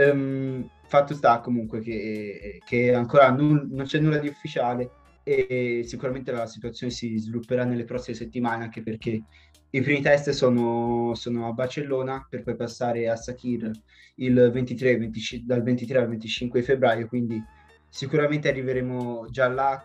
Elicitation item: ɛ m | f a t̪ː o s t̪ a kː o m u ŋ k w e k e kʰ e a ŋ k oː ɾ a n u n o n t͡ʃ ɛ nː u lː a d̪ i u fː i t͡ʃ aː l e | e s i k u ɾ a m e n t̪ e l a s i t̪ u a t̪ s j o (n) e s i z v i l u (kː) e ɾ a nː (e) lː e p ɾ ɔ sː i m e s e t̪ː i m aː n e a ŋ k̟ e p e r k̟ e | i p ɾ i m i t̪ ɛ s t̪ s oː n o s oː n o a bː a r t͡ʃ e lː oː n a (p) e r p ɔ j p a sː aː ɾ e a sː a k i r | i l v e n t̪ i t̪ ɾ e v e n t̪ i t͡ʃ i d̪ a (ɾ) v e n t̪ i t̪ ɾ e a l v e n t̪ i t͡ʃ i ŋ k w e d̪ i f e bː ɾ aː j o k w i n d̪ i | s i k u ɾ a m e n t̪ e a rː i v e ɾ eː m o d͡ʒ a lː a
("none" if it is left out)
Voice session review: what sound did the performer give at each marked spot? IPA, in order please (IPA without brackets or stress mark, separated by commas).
n, pː, e, p, l